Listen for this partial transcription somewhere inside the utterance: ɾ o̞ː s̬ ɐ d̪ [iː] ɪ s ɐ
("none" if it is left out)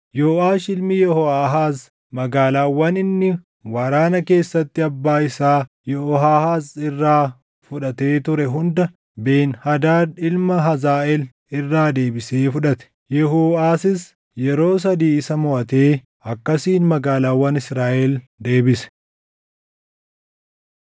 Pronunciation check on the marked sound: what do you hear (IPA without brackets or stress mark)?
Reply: iː